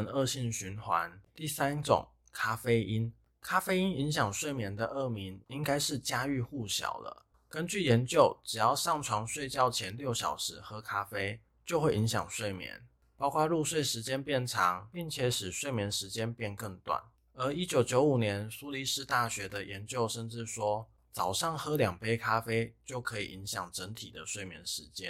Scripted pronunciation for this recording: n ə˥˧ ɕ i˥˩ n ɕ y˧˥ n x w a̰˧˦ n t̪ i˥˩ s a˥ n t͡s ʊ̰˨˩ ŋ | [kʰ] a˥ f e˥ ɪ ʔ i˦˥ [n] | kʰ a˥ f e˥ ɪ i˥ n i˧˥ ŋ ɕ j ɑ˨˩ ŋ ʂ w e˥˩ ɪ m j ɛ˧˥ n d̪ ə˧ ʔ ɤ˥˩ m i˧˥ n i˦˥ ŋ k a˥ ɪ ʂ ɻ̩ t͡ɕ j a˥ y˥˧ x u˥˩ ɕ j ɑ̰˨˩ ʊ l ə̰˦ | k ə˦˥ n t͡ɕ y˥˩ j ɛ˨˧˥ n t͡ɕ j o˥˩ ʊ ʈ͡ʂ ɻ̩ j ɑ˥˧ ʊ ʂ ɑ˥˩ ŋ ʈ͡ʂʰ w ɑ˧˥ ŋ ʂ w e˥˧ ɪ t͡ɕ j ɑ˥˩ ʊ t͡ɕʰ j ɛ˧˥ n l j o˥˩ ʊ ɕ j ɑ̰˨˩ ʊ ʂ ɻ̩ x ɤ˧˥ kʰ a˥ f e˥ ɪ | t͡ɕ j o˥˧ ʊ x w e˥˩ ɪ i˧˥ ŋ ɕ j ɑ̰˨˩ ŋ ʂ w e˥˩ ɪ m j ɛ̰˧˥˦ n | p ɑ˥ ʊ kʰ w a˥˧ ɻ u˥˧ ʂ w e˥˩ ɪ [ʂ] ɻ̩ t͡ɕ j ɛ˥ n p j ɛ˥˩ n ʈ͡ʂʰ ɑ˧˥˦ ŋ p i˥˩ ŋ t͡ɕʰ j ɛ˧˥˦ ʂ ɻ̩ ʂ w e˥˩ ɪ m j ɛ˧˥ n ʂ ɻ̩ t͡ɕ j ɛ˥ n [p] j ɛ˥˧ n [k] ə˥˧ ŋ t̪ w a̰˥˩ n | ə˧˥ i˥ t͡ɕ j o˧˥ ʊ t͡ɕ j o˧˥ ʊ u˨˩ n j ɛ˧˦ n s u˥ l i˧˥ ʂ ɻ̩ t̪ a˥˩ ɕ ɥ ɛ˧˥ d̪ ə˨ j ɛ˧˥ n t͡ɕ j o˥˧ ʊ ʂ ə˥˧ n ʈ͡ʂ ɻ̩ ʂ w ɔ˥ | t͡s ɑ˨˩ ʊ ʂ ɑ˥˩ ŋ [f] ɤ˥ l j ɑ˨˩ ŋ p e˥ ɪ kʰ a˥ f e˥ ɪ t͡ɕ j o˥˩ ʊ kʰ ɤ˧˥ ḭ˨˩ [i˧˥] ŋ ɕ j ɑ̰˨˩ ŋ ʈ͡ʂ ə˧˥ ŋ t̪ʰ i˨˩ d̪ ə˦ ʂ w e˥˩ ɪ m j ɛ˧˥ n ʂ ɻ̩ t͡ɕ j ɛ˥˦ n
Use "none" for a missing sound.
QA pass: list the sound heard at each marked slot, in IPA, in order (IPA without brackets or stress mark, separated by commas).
kʰ, n, ʂ, p, k, x, i˧˥